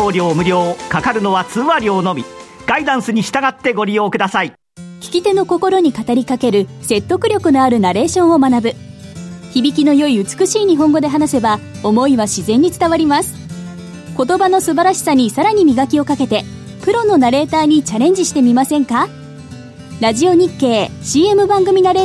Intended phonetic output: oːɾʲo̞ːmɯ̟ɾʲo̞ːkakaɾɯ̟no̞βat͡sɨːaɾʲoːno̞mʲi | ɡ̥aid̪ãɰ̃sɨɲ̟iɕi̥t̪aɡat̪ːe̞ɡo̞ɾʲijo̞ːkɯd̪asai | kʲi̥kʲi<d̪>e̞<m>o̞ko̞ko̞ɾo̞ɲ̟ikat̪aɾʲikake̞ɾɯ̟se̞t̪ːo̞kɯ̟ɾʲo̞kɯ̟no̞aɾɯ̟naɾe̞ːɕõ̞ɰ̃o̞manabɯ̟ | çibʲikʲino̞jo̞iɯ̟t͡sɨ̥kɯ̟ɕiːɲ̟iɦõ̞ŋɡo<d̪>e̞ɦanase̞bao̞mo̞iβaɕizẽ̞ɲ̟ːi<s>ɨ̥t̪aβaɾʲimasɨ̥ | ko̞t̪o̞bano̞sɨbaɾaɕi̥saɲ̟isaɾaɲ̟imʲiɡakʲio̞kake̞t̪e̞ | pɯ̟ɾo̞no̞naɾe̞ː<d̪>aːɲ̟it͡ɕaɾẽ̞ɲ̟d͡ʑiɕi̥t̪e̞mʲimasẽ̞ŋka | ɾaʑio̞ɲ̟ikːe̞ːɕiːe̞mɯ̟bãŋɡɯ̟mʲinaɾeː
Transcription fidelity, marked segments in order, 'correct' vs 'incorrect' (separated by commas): incorrect, incorrect, correct, incorrect, incorrect